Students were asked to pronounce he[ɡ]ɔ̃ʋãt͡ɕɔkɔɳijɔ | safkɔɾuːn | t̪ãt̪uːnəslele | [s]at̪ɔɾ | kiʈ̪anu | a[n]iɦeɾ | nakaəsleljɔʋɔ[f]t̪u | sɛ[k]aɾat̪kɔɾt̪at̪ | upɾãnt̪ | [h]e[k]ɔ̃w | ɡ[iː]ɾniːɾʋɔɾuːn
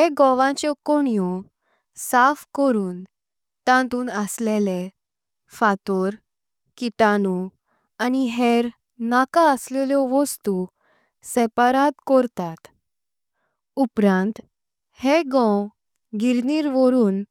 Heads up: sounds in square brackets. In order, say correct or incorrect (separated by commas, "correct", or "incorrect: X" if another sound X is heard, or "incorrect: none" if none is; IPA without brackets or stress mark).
correct, incorrect: f, correct, incorrect: s, incorrect: p, correct, incorrect: ɡ, incorrect: i